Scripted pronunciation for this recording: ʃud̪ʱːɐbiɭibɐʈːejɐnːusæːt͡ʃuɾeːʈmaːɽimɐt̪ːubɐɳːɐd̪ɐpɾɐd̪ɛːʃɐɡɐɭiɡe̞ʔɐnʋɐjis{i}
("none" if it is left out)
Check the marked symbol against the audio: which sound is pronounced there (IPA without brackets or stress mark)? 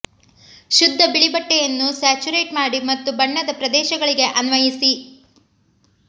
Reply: i